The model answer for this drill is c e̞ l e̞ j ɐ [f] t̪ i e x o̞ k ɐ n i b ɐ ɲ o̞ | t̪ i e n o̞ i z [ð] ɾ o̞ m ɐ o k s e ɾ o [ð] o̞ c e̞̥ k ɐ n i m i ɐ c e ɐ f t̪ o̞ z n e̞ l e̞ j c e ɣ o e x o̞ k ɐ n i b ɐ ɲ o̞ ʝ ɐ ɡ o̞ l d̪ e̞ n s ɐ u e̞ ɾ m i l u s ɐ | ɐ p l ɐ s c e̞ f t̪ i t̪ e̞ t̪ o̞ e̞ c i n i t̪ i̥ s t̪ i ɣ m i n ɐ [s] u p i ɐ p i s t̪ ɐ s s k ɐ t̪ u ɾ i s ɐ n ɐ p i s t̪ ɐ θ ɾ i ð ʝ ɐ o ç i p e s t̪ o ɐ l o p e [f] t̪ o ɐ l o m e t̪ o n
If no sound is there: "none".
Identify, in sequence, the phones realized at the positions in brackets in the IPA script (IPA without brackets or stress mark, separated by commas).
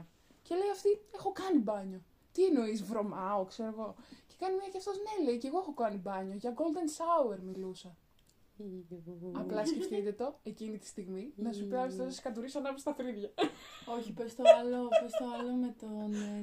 f, v, ɣ, s, s